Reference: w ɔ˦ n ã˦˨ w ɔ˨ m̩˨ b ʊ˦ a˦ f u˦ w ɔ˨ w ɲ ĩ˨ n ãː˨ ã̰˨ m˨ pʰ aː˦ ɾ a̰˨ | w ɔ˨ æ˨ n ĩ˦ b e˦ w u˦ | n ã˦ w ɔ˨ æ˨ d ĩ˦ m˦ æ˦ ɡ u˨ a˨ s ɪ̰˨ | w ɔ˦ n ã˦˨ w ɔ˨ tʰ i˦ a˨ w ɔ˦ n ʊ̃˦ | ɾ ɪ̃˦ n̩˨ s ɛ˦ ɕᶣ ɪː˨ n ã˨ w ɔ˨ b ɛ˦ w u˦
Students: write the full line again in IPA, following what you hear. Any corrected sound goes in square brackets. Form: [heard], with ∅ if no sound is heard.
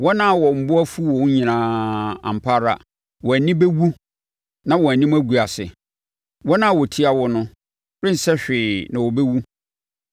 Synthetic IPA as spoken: w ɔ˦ n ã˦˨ w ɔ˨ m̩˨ b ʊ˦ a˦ f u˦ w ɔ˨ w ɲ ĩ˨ n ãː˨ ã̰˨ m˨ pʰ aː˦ ɾ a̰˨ | w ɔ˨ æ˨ n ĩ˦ b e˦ w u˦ | n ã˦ w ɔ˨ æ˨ [n] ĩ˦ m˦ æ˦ ɡ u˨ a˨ s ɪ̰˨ | w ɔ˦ n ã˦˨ w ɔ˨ tʰ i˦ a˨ w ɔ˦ n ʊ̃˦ | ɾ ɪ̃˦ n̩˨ s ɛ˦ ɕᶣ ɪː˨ n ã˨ w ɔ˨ b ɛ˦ w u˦